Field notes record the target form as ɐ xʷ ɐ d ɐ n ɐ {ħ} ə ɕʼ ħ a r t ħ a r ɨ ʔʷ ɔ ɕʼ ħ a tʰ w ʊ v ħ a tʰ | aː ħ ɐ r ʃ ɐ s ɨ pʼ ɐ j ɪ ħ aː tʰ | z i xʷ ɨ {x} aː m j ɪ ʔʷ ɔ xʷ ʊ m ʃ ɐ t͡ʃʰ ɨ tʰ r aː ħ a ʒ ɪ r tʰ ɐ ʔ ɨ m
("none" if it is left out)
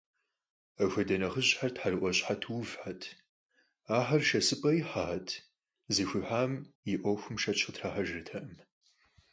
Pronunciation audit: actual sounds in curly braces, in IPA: χ, ħ

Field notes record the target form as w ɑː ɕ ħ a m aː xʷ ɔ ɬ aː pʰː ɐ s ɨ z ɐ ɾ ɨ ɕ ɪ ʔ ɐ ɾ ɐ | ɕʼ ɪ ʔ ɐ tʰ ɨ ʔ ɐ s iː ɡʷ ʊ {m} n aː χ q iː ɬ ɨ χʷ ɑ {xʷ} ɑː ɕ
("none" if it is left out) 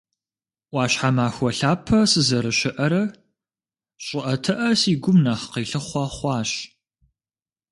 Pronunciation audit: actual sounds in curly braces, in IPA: m, χʷ

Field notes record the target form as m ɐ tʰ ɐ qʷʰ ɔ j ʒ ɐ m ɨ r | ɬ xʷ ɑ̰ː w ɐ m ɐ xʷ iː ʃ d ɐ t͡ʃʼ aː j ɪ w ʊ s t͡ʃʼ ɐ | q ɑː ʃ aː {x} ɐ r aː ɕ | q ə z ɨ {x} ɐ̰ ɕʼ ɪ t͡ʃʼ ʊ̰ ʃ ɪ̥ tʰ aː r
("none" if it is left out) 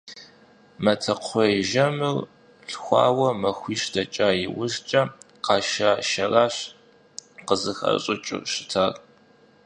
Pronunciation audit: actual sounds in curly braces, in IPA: ʃ, x

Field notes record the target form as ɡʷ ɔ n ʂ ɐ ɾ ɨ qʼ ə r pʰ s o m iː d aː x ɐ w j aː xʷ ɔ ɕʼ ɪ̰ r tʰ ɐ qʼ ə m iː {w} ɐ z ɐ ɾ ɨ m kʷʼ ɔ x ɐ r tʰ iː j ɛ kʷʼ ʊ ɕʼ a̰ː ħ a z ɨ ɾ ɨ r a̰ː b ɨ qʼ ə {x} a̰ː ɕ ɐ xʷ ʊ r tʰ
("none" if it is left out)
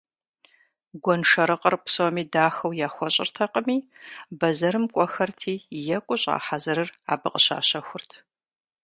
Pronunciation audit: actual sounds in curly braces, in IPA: b, ɕ

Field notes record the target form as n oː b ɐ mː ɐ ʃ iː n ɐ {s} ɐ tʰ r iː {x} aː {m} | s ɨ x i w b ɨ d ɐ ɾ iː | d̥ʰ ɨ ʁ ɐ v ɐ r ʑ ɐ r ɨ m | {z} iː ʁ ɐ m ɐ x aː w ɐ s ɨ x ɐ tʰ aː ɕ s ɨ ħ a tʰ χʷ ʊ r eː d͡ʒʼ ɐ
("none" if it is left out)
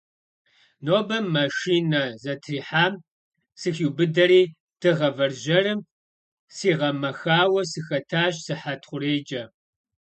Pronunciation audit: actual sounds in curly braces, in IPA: z, ħ, m, s

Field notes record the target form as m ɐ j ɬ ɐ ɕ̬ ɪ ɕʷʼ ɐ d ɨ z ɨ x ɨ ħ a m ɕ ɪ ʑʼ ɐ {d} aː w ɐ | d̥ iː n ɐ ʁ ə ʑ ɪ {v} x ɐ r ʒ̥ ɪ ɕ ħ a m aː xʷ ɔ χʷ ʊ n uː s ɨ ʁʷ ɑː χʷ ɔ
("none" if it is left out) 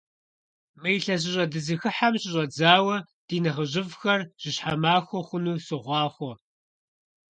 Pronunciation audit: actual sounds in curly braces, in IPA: d͡z, v

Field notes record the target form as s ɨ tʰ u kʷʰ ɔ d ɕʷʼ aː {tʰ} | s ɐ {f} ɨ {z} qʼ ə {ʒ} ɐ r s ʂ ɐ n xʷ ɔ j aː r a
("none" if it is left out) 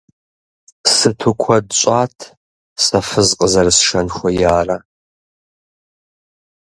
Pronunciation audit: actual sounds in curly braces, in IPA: tʰ, f, z, z

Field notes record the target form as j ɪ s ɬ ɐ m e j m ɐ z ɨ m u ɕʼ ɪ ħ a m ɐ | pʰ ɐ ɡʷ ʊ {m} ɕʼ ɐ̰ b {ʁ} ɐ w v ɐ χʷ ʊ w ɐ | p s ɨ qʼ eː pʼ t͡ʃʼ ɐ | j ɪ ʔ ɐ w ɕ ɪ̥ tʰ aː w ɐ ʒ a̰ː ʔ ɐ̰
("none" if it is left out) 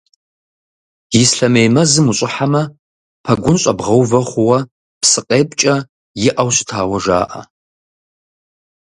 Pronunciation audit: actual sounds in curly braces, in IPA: n, ʁ

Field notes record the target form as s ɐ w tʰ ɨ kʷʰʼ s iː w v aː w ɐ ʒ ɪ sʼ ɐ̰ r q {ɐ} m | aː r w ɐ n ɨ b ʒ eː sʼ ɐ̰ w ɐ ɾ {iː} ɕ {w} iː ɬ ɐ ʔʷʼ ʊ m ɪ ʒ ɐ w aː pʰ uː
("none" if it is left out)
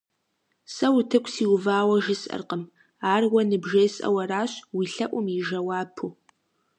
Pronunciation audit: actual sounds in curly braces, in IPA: ə, aː, w

